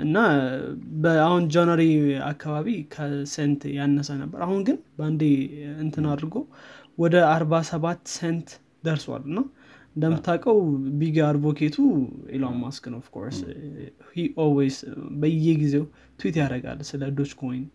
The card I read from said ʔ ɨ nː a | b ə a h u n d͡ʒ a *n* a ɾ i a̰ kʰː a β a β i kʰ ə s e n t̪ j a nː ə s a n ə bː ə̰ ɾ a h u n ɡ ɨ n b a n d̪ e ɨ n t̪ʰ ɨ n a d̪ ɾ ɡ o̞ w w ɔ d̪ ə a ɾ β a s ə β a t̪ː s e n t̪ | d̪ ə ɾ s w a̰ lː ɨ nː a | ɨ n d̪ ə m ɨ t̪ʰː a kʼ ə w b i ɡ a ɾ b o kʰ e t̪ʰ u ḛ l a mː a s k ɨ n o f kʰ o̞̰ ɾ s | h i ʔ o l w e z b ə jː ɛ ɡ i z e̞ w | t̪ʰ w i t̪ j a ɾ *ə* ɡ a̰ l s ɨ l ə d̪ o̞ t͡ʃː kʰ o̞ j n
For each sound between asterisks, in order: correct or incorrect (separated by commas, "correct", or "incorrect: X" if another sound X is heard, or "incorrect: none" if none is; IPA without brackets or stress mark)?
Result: correct, correct